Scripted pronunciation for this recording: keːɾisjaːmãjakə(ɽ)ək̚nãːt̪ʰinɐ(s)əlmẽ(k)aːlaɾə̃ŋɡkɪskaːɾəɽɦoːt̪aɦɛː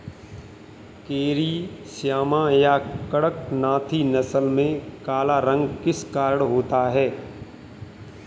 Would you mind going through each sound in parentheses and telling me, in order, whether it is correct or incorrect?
correct, correct, correct

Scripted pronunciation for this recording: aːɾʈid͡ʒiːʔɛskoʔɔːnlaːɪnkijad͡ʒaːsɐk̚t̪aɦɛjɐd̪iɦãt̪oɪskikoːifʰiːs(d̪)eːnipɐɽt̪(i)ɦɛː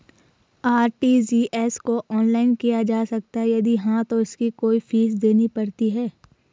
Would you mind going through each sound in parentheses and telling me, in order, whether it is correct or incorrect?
correct, correct

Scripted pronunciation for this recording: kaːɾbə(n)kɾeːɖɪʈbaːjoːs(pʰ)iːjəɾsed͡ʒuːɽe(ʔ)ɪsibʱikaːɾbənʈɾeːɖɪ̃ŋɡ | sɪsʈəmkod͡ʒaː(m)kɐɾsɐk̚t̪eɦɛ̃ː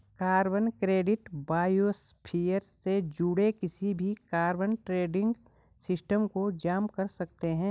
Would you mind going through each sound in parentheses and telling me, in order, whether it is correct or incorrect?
correct, correct, incorrect, correct

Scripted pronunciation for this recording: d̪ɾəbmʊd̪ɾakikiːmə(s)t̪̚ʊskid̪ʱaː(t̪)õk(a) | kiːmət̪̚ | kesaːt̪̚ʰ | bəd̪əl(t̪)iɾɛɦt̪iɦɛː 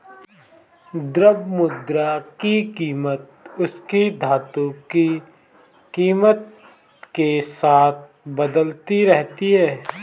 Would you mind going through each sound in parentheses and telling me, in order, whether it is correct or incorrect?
incorrect, correct, incorrect, correct

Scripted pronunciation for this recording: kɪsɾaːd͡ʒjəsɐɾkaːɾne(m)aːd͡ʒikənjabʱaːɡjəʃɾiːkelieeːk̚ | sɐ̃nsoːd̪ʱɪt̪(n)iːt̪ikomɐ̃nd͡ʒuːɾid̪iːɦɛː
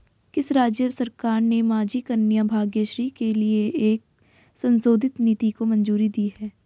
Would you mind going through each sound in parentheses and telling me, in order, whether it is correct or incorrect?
correct, correct

